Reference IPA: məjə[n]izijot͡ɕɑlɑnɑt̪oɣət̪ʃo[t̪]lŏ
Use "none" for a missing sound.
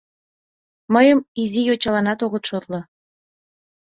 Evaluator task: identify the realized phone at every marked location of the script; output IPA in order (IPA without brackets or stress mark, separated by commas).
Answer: m, t̪